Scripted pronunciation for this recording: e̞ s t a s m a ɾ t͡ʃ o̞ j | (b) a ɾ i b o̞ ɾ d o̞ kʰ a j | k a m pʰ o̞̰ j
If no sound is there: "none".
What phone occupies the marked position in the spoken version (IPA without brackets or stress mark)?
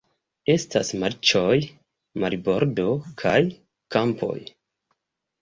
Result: m